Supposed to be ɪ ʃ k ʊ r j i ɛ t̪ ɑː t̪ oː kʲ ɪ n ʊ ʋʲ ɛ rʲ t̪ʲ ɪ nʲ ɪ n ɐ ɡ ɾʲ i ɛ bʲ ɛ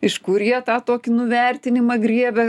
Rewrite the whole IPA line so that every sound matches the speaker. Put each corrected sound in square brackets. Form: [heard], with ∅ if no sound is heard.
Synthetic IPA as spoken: ɪ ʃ k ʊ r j i ɛ t̪ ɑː t̪ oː kʲ ɪ n ʊ ʋʲ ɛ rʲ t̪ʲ ɪ nʲ ɪ [m] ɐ ɡ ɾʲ i ɛ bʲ ɛ